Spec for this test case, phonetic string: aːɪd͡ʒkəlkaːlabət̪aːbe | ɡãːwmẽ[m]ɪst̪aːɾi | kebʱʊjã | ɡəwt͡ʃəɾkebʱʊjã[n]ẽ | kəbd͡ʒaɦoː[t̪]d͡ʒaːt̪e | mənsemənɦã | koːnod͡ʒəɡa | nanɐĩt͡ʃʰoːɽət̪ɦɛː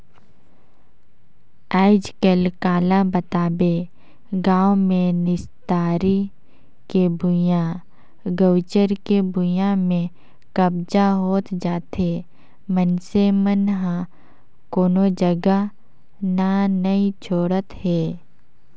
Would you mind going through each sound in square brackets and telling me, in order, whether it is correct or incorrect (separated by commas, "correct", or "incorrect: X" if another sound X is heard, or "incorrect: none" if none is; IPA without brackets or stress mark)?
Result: incorrect: n, incorrect: m, correct